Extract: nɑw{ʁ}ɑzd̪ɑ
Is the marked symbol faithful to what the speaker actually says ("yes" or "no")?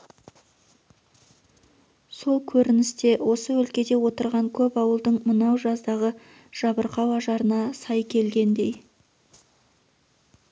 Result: no